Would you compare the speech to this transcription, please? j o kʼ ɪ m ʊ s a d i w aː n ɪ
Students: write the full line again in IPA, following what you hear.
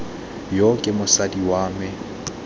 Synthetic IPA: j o kʼ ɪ m ʊ s a d i w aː m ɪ